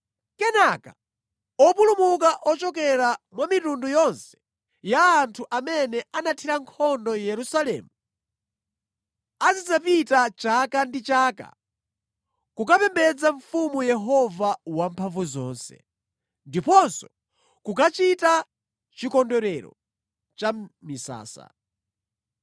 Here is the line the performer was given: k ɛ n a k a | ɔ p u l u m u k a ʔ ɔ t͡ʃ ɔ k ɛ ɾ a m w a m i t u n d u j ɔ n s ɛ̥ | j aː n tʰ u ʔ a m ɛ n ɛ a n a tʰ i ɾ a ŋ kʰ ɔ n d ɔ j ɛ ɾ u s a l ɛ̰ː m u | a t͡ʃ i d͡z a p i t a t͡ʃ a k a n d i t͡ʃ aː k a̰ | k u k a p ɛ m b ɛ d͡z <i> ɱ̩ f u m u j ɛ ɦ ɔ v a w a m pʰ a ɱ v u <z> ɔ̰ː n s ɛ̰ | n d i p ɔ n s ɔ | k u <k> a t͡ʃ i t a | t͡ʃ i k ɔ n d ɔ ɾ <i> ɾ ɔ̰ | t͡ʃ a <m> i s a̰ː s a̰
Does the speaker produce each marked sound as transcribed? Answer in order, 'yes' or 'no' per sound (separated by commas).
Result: no, yes, yes, no, yes